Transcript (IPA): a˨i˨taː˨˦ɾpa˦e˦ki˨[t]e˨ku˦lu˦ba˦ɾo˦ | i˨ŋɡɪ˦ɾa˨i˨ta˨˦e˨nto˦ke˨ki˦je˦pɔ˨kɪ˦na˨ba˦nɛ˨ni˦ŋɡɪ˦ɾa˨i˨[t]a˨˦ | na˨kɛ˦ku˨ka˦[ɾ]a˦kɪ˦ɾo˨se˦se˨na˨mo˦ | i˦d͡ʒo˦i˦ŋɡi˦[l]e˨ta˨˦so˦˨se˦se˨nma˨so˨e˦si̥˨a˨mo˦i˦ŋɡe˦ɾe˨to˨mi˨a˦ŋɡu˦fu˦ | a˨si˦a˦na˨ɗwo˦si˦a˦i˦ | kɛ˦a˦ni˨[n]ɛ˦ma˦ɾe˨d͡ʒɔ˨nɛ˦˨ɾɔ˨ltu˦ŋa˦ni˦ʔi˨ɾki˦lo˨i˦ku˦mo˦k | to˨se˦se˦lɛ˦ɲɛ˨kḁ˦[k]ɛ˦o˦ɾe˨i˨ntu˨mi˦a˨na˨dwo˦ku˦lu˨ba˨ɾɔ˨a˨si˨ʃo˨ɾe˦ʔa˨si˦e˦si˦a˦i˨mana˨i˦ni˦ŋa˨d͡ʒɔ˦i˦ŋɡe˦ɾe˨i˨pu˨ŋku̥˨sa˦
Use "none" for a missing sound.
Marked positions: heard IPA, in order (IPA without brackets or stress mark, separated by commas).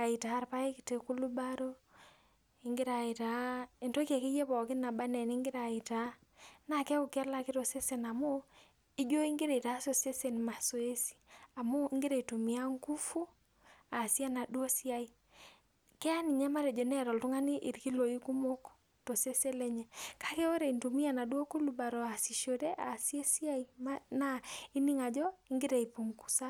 t, t, l, ɾ, ɲ, k